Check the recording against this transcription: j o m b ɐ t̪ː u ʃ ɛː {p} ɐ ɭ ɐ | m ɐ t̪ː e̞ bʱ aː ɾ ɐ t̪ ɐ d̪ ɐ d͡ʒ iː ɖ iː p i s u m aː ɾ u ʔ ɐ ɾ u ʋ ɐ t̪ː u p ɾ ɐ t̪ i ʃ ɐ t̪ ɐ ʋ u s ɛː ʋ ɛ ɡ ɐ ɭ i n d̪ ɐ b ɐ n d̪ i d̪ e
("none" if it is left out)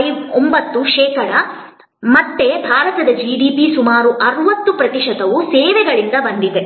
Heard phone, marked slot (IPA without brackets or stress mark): k